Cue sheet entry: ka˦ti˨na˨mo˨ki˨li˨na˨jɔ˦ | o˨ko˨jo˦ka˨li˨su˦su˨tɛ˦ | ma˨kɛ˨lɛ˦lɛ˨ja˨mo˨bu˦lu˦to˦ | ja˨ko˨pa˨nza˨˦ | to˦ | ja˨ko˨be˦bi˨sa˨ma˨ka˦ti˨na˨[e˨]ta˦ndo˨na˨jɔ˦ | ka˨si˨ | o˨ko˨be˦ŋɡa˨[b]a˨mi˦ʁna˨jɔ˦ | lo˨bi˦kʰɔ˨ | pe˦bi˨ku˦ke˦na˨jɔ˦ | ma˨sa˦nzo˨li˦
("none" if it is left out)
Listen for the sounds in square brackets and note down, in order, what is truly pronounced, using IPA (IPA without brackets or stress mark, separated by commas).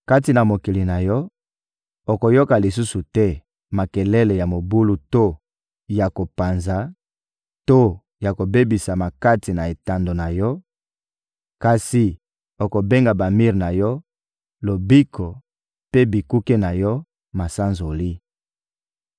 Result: e˨, b